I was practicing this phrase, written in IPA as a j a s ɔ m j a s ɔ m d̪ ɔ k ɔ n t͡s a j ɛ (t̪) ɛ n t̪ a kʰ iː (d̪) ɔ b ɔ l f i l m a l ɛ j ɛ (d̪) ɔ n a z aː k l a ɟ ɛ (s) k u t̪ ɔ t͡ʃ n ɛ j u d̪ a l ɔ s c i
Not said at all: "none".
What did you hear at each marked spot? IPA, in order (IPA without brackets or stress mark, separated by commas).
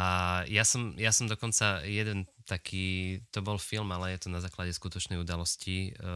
d̪, t̪, t̪, s